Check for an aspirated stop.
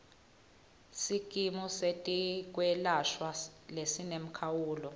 present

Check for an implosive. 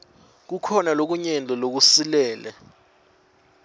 absent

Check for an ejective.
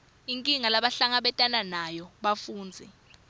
present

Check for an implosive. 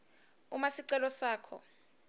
absent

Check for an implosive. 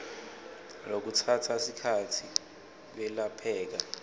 absent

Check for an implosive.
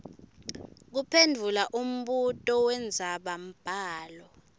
present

